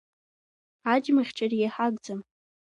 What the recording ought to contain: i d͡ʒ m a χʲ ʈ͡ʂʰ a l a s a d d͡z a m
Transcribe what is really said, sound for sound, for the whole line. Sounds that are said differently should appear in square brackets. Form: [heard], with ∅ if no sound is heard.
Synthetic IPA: [a] d͡ʒ m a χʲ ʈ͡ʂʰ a [r] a [ħ] a [ɡ] d͡z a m